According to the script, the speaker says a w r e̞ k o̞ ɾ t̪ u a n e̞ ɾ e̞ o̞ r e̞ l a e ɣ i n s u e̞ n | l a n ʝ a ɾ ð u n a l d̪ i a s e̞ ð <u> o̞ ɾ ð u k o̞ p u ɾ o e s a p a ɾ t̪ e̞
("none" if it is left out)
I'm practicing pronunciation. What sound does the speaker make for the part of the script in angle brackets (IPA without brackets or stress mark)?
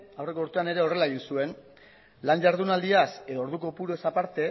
o